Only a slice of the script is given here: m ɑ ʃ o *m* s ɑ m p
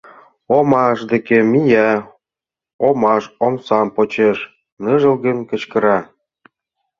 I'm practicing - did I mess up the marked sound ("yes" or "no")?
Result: no